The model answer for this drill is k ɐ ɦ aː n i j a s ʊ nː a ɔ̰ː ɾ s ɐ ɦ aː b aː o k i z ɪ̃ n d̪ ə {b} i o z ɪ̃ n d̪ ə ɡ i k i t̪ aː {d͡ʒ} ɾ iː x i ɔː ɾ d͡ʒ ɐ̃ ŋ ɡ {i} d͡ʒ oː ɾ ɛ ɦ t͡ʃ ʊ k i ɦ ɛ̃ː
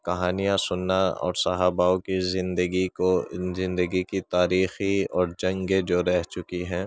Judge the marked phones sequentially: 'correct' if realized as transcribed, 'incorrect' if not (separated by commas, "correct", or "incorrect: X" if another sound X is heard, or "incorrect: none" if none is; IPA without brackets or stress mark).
incorrect: ɡ, incorrect: none, incorrect: e